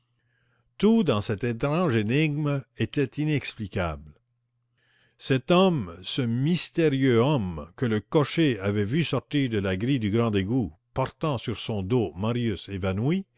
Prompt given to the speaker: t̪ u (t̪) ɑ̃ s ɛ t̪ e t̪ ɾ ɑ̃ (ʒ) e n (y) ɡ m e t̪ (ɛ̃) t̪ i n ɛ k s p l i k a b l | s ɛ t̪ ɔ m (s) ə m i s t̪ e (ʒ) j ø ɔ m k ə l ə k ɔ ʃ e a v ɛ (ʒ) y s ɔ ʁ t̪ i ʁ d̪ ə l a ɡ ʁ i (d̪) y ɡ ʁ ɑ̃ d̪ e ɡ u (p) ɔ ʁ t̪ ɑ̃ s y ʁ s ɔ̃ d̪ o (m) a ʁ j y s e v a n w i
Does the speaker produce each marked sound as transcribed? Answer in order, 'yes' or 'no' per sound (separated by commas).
no, yes, no, no, yes, no, no, yes, yes, yes